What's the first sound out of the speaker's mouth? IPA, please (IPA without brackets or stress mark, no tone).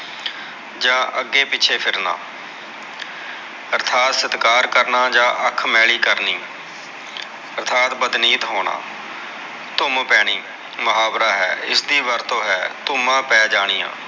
d͡ʒ